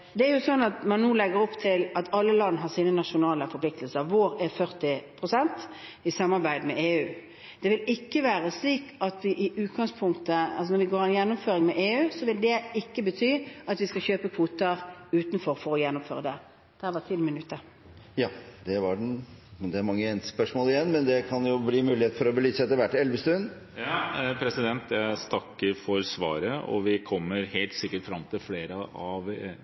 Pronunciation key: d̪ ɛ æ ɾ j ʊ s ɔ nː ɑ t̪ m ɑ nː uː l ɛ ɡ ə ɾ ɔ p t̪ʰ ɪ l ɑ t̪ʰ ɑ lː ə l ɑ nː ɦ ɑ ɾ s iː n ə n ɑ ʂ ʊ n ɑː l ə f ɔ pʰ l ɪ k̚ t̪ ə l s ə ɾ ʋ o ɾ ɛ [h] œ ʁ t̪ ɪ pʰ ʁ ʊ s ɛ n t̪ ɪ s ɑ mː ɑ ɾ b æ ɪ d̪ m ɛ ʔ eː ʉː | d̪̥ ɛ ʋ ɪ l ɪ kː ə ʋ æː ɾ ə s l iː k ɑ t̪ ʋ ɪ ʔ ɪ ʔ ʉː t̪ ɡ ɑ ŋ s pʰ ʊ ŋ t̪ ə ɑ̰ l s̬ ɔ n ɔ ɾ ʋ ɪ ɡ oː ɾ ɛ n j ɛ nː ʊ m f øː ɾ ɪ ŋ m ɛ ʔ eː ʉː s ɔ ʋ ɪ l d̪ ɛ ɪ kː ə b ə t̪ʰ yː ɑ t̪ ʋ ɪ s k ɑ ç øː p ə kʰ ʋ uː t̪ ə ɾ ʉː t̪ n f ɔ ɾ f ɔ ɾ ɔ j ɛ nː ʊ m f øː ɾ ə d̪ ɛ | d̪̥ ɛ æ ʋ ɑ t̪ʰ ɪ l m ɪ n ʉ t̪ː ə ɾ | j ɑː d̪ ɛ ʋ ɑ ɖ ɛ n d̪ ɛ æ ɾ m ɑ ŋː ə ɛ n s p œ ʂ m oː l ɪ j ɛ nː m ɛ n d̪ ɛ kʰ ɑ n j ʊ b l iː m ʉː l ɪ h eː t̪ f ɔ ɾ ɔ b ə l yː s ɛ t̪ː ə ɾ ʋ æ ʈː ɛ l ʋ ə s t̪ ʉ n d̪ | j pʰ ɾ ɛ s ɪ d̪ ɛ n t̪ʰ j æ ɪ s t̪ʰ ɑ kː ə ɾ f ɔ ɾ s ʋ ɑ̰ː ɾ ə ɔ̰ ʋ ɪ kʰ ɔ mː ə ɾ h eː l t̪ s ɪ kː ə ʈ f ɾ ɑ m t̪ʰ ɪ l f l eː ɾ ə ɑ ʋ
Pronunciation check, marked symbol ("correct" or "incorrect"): incorrect